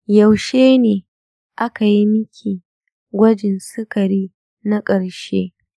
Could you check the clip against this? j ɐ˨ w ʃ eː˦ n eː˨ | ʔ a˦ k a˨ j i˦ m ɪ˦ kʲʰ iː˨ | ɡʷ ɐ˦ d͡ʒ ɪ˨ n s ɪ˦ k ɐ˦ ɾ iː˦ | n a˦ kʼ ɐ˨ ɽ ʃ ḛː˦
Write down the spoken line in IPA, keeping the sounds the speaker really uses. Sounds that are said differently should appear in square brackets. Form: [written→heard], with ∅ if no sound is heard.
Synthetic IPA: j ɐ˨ w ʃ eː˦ n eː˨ | ʔ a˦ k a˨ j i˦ m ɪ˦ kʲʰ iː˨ | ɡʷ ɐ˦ d͡ʒ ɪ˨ n s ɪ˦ k [ɐ˦→ɐ˨] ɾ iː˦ | n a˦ kʼ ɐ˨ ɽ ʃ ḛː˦